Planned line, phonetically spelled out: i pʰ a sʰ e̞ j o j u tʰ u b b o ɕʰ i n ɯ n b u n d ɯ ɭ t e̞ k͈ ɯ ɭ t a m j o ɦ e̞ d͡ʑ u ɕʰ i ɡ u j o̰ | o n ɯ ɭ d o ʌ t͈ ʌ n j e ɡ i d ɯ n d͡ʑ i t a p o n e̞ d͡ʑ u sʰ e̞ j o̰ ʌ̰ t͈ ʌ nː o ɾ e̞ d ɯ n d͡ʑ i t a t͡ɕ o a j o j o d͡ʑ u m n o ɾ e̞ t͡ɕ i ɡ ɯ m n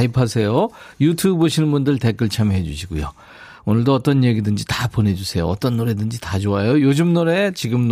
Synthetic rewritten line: i pʰ a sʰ e̞ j o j u tʰ u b b o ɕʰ i n ɯ n b u n d ɯ ɭ t e̞ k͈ ɯ ɭ t͡ɕʰ a m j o ɦ e̞ d͡ʑ u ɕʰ i ɡ u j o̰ | o n ɯ ɭ d o ʌ t͈ ʌ n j e ɡ i d ɯ n d͡ʑ i t a p o n e̞ d͡ʑ u sʰ e̞ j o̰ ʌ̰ t͈ ʌ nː o ɾ e̞ d ɯ n d͡ʑ i t a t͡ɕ o a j o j o d͡ʑ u m n o ɾ e̞ t͡ɕ i ɡ ɯ m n